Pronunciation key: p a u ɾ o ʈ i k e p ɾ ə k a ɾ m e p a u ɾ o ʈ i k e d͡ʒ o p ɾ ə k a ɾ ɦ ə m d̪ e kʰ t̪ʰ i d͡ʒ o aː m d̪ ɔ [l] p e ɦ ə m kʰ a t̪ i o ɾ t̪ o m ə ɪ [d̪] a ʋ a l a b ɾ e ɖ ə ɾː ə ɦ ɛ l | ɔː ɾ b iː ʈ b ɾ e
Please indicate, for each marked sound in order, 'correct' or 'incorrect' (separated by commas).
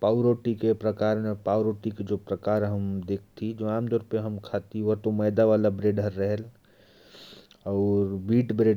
incorrect, correct